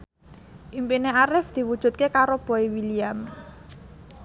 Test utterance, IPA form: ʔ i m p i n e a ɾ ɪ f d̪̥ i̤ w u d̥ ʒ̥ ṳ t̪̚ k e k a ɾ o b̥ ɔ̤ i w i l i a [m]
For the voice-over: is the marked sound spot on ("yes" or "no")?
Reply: yes